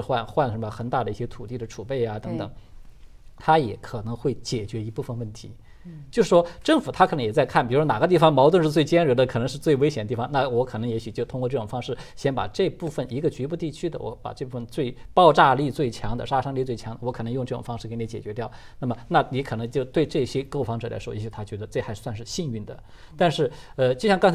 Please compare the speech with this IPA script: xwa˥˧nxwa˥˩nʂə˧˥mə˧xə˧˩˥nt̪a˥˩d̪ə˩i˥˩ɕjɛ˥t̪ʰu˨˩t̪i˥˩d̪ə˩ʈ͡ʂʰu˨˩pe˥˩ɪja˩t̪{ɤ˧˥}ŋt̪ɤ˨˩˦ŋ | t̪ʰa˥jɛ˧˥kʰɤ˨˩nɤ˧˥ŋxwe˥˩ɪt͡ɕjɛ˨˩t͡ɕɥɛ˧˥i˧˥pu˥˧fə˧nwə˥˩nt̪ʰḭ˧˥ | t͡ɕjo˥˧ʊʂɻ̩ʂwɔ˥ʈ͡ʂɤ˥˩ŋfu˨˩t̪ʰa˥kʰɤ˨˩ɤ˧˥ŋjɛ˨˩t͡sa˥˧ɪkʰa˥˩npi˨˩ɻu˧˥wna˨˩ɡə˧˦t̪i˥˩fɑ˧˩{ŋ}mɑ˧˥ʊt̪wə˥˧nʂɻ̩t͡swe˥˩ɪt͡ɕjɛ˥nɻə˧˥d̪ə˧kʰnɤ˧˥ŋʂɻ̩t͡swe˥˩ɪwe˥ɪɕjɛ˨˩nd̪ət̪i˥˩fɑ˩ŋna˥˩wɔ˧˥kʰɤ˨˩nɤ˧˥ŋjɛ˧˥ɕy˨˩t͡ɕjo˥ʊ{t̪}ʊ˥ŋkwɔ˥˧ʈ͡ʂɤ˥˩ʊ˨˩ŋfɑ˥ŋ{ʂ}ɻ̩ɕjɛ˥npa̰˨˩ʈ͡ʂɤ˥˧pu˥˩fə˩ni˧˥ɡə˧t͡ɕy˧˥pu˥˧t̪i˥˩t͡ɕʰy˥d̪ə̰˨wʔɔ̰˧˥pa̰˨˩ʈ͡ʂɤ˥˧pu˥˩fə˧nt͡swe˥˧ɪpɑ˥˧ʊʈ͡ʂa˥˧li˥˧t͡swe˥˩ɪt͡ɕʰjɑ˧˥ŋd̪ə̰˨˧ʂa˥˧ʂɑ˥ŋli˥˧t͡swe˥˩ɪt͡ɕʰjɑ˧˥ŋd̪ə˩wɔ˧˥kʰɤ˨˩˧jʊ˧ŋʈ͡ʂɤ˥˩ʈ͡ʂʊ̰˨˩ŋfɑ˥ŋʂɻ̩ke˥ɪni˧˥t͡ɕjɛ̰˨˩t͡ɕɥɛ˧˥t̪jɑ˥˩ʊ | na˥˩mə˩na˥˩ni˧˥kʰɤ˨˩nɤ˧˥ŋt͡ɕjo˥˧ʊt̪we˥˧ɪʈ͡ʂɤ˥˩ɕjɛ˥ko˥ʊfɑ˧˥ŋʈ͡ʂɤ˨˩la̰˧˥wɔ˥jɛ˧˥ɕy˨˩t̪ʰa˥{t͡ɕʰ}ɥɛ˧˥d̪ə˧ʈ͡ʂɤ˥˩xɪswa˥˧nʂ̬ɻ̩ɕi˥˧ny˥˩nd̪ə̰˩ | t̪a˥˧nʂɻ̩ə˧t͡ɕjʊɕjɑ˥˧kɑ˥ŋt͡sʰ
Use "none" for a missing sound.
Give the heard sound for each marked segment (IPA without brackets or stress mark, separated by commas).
ɤ˧˥, ŋ, t̪ʰ, ʂ, t͡ɕ